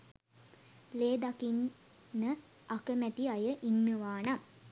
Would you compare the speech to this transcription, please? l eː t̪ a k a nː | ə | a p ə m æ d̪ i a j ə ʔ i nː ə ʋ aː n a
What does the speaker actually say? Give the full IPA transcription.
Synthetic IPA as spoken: l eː d̪ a k i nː | ə | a k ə m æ t̪ i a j ə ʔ i nː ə ʋ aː n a